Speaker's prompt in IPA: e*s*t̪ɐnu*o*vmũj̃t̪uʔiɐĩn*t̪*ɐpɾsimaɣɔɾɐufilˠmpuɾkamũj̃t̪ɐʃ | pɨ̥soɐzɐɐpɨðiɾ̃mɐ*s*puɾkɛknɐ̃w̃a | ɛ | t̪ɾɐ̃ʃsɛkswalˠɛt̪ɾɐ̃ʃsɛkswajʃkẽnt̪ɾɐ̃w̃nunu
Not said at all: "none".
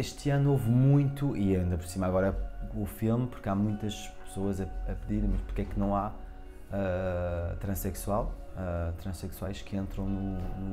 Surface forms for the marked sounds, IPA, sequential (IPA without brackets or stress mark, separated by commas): ʃ, o, d̪, ʃ